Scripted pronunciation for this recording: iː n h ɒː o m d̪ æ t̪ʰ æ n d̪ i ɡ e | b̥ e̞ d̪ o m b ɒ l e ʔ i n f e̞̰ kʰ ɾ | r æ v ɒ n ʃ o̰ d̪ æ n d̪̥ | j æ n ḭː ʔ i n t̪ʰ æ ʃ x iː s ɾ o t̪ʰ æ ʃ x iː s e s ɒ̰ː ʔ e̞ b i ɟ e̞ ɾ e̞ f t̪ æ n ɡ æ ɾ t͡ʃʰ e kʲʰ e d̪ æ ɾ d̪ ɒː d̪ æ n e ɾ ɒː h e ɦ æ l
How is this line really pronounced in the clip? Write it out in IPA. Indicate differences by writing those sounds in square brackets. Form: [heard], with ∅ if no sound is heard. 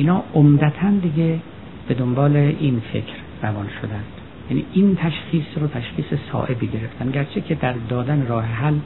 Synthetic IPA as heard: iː n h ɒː o m d̪ æ t̪ʰ æ n d̪ i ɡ e | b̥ e̞ d̪ o m b [ɒː] l e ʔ i n f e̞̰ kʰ ɾ | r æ v ɒ n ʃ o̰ d̪ æ n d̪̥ | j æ n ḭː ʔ i n t̪ʰ æ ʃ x iː s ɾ o t̪ʰ æ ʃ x iː s e s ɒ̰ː ʔ e̞ b i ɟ e̞ ɾ e̞ f t̪ æ n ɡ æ ɾ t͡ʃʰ e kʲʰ e d̪ æ ɾ d̪ ɒː d̪ æ n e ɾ ɒː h e ɦ æ l